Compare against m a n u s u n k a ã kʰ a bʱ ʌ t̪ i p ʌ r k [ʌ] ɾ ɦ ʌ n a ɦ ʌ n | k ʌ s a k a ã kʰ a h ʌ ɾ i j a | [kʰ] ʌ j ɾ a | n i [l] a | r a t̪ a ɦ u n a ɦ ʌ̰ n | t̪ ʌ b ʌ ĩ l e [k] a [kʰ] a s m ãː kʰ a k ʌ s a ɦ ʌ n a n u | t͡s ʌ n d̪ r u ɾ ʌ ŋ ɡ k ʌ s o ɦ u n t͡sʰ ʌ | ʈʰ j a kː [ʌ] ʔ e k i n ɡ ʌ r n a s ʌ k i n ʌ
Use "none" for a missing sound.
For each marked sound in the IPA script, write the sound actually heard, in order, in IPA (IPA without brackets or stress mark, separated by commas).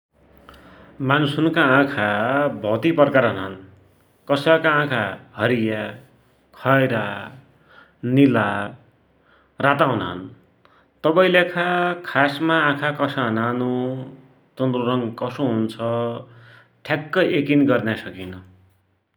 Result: a, kʰ, l, kʰ, kʰ, ʌ